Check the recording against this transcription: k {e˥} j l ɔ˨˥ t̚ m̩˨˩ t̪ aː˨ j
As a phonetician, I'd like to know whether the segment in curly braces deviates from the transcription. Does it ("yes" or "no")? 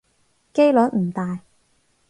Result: no